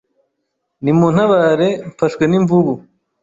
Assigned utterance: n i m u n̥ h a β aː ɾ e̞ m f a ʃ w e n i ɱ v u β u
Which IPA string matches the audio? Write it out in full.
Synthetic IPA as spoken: n i m u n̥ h a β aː ɾ e̞ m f a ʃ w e n i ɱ v u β u

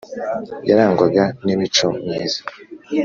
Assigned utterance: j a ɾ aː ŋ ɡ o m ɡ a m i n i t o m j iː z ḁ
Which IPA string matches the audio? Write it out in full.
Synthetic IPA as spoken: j a ɾ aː ŋ ɡ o ɡ a n i m i t͡ʃ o m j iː z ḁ

